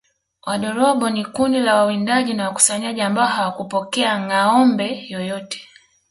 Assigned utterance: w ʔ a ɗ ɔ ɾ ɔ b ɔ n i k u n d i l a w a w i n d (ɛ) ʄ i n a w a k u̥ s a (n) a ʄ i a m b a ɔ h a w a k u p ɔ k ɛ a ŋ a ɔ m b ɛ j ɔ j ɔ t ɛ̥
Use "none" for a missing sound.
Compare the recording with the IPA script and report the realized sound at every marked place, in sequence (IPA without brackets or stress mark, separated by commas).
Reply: a, ɲ